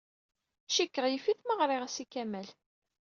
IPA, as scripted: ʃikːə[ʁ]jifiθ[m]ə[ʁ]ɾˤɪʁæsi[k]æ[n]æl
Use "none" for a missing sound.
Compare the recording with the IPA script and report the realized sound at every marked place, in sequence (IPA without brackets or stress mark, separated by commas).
ʁ, m, ʁ, k, m